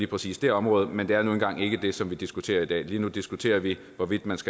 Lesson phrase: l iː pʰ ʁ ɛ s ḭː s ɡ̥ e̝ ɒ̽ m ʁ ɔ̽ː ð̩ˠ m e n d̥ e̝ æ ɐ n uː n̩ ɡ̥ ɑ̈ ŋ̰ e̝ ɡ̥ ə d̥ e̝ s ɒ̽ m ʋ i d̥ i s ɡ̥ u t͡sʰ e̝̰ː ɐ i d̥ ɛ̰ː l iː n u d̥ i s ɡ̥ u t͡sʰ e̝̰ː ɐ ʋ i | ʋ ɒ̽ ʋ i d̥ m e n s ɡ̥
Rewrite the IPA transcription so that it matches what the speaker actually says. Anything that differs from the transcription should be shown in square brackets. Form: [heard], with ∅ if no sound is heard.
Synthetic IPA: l iː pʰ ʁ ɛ s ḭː s [d̥] e̝ ɒ̽ m ʁ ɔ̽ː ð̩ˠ m e n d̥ e̝ æ ɐ n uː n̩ ɡ̥ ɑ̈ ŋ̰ e̝ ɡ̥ ə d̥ e̝ s ɒ̽ m ʋ i d̥ i s ɡ̥ u t͡sʰ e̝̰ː ɐ i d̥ ɛ̰ː l iː n u d̥ i s ɡ̥ u t͡sʰ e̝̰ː ɐ ʋ i | ʋ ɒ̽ ʋ i d̥ m [æ] n s ɡ̥